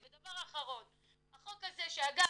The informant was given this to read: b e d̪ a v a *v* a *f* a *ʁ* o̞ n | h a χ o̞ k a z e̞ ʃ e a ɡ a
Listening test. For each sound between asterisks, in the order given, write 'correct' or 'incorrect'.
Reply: incorrect: ʁ, incorrect: χ, correct

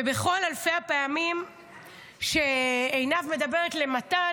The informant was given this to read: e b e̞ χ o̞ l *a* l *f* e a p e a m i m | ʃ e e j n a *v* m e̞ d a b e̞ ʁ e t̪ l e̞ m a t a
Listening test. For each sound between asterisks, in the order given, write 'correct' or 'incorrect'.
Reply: correct, correct, correct

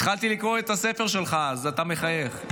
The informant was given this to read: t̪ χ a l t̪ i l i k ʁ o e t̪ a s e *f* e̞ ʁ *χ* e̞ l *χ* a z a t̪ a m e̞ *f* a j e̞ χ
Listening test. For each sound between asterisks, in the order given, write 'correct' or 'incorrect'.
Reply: correct, incorrect: ʃ, correct, incorrect: χ

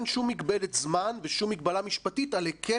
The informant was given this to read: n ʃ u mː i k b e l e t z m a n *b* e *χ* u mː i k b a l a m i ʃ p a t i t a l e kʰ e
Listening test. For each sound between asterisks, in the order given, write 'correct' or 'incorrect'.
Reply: incorrect: v, incorrect: ʃ

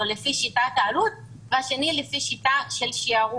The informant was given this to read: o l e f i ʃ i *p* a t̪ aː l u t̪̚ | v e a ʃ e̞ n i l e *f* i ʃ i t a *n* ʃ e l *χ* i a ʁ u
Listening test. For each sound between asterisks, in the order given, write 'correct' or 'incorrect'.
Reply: incorrect: t, correct, incorrect: none, incorrect: ʃ

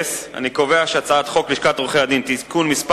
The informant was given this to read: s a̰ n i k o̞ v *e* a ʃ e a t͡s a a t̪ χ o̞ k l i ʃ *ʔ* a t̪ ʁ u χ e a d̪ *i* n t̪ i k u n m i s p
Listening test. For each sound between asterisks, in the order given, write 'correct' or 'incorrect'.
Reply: correct, incorrect: k, correct

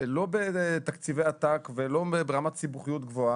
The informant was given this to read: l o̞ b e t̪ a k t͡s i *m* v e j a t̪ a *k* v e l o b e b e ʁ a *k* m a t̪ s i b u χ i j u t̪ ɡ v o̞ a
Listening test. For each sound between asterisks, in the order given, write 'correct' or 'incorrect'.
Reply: incorrect: none, correct, incorrect: none

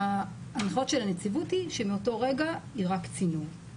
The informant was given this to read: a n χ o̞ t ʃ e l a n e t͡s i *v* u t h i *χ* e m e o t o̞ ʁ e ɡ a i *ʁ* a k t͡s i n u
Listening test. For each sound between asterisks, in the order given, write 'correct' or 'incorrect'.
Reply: correct, incorrect: ʃ, correct

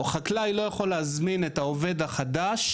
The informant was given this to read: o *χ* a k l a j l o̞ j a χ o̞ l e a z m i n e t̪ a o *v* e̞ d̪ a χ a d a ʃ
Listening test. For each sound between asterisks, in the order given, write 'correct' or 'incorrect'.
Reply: correct, correct

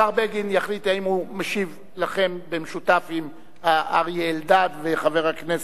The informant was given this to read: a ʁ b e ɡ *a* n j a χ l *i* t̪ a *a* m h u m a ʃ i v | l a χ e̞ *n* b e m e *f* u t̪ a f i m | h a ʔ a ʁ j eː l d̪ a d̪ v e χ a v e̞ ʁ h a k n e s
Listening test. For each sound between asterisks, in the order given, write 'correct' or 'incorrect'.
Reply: incorrect: i, correct, incorrect: i, incorrect: m, incorrect: ʃ

